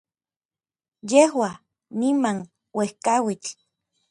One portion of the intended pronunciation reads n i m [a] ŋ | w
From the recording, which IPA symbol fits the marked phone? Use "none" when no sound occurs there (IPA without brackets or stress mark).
a